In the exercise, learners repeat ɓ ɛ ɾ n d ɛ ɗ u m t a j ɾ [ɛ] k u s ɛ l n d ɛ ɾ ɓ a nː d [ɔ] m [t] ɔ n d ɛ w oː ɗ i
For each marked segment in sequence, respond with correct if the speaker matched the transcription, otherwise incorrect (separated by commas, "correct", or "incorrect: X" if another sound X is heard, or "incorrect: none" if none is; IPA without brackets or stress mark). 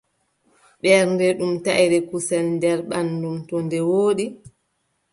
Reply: correct, incorrect: u, correct